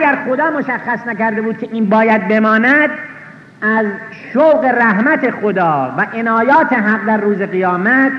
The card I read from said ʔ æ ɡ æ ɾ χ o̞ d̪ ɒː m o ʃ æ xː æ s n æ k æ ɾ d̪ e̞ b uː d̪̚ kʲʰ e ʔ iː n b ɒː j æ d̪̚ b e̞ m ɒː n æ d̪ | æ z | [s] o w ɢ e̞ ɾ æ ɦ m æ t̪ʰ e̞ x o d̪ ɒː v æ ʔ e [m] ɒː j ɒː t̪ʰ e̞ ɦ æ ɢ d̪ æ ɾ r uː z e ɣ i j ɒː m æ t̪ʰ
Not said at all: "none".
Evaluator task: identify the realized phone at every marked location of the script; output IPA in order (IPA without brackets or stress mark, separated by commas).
ʃ, n